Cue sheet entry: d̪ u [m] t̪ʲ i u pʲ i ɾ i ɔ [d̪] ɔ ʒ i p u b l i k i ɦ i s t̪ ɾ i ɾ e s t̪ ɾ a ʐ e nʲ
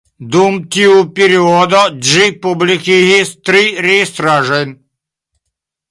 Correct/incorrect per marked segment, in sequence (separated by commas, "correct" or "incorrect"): correct, correct